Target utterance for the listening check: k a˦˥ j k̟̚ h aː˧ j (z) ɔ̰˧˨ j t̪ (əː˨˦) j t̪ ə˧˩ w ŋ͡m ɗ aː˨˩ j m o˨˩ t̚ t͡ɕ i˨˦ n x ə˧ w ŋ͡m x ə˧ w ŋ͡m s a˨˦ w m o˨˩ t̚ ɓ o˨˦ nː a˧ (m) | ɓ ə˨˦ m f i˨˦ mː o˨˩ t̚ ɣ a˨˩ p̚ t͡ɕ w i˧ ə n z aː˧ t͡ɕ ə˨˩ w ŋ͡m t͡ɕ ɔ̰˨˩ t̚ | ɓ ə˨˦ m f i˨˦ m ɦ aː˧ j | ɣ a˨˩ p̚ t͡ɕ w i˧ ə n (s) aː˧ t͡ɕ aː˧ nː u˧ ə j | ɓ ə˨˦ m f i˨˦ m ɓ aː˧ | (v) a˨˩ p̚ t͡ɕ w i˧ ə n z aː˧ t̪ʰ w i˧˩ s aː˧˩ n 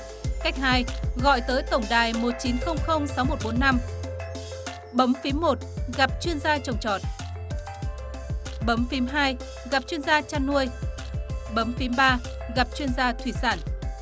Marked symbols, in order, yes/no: no, yes, yes, no, no

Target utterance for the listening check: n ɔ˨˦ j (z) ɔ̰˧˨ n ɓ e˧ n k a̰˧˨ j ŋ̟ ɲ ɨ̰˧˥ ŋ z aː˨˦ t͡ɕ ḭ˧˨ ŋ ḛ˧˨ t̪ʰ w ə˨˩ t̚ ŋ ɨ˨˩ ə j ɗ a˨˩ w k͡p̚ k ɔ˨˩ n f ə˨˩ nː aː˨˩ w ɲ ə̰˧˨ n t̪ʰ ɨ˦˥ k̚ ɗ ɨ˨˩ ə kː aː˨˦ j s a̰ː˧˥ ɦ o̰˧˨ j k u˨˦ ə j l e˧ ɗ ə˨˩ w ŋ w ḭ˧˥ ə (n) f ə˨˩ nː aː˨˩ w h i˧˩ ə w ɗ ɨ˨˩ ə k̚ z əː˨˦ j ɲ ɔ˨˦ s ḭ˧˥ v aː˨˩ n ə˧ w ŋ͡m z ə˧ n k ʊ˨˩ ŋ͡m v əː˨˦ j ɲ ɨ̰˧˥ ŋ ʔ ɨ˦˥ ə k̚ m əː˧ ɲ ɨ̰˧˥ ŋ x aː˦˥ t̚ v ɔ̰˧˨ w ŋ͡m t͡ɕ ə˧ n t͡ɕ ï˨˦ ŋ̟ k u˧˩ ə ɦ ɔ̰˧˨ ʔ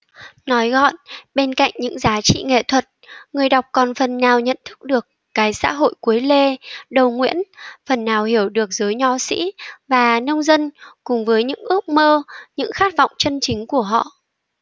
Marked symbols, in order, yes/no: no, yes

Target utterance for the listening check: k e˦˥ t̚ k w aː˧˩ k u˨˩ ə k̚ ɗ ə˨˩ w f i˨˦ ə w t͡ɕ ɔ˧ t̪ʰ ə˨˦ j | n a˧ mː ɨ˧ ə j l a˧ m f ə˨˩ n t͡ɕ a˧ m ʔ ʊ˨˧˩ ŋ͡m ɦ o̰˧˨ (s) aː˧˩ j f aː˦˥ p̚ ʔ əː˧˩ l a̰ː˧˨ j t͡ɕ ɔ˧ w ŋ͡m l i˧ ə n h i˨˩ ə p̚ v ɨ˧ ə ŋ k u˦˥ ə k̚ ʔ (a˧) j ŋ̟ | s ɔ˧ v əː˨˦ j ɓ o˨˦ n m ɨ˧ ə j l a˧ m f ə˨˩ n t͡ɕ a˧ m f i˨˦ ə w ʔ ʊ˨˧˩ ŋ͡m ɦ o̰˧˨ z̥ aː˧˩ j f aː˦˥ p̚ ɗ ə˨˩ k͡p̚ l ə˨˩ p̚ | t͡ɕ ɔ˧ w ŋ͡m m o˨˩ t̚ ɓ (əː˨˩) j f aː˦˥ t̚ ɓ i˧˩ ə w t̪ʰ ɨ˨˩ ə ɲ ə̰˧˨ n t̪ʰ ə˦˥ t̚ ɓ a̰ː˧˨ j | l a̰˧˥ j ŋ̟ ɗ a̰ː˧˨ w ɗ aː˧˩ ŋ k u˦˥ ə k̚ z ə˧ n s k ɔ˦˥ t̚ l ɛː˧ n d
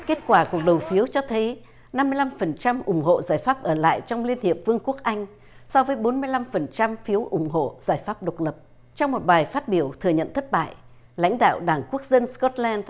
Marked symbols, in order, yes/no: no, yes, no

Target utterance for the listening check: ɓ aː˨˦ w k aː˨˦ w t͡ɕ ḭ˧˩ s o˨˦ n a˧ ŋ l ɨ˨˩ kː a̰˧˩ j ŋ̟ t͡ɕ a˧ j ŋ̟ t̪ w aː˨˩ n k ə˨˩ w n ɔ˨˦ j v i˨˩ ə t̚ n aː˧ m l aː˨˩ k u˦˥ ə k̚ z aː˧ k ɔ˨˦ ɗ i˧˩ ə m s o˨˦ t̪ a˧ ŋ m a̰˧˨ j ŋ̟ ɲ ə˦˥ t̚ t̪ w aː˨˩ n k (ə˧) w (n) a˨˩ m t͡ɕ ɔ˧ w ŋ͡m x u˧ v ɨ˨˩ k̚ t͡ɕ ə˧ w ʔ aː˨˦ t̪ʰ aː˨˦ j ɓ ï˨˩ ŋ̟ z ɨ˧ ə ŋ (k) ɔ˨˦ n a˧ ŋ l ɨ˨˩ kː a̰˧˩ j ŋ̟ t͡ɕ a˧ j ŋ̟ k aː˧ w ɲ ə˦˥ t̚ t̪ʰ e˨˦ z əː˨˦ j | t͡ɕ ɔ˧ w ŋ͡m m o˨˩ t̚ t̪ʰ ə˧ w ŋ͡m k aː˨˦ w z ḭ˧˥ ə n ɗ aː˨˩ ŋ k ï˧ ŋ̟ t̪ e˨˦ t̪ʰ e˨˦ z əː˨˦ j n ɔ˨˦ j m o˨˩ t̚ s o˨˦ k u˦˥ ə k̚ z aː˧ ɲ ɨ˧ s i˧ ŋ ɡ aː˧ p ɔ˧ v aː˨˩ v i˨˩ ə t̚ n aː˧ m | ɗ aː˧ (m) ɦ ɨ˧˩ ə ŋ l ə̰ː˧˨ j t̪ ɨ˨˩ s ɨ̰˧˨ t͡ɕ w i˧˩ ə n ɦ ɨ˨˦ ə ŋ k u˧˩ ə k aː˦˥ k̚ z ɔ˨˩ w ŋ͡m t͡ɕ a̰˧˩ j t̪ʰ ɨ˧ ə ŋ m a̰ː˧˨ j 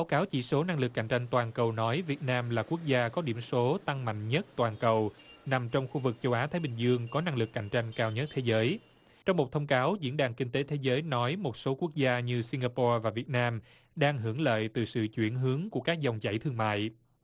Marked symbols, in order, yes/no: no, yes, yes, no

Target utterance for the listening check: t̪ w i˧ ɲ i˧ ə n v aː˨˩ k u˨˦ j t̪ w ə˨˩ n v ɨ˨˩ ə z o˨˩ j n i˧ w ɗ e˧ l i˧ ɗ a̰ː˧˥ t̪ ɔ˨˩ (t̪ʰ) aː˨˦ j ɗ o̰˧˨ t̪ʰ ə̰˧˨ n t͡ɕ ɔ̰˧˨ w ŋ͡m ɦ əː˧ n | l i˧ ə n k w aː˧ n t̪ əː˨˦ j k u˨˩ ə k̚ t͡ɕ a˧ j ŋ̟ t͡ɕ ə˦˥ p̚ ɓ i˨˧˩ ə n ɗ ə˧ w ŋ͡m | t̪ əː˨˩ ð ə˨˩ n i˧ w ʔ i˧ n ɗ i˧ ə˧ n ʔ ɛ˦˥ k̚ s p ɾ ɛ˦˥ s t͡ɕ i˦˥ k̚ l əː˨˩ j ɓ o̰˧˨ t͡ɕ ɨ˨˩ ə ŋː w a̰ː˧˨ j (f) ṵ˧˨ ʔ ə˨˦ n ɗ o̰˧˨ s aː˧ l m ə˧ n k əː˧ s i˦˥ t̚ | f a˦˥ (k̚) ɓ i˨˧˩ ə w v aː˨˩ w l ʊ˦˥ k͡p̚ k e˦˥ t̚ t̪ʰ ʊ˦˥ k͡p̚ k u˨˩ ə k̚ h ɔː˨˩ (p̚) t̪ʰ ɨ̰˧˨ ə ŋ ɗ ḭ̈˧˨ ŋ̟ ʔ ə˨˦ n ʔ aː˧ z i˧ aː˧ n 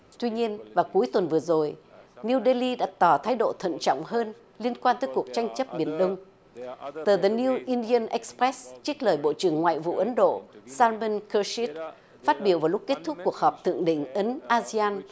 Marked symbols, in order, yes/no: yes, no, no, yes

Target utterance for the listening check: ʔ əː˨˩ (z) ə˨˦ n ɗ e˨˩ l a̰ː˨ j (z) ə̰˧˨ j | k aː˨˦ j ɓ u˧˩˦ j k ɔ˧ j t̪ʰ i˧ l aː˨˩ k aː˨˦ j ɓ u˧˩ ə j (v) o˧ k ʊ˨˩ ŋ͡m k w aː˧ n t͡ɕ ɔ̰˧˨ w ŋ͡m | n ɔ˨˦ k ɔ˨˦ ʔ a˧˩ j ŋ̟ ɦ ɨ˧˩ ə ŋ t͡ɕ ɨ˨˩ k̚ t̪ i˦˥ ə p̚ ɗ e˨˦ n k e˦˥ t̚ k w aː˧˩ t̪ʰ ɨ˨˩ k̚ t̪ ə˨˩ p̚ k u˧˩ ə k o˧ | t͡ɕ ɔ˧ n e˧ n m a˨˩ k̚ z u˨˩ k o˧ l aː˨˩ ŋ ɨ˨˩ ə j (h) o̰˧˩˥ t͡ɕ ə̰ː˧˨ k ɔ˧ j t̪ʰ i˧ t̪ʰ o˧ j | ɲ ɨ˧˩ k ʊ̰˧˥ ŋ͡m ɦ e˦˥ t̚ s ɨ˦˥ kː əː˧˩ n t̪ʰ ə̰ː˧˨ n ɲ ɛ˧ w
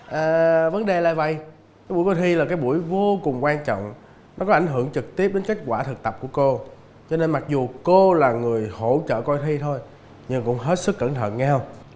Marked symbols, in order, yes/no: no, no, yes, yes

